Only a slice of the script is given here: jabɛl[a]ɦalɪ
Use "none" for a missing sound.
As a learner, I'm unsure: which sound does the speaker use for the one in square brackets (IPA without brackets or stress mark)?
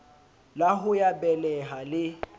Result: ɛ